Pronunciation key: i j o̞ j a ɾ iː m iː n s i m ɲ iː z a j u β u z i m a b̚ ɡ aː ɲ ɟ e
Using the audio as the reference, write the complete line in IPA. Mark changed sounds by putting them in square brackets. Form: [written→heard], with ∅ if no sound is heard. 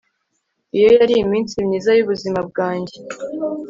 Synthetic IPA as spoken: i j o̞ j a ɾ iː m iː n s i m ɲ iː z a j u β u z i m a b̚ ɡ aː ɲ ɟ e